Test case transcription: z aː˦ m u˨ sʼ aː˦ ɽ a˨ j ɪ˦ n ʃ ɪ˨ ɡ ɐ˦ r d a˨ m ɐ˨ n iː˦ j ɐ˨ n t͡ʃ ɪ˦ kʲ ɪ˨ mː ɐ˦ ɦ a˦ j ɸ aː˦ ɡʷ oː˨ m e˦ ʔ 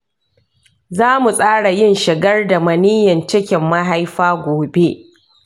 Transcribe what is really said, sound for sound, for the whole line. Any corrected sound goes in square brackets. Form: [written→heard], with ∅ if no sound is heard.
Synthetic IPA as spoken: z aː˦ m u˨ sʼ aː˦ ɽ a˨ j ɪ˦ n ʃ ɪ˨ ɡ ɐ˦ r d a˨ m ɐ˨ n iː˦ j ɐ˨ n t͡ʃ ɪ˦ kʲ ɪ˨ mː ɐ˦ ɦ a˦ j ɸ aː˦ ɡʷ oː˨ [m→b] e˦ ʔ